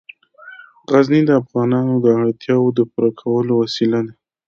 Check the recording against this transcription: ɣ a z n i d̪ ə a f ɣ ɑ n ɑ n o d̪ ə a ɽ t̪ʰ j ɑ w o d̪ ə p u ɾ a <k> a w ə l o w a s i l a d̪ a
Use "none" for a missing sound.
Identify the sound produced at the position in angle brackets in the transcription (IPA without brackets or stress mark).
kʰ